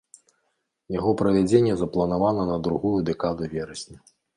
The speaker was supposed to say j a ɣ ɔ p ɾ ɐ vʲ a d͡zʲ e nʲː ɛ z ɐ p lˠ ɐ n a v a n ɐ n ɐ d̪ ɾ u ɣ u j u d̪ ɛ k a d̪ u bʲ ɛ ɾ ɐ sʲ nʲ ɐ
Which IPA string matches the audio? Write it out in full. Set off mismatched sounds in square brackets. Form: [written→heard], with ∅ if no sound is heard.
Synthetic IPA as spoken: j a ɣ ɔ p ɾ ɐ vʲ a d͡zʲ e nʲː ɛ z ɐ p lˠ ɐ n a v a n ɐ n ɐ d̪ ɾ u ɣ u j u d̪ ɛ k a d̪ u [bʲ→vʲ] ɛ ɾ ɐ sʲ nʲ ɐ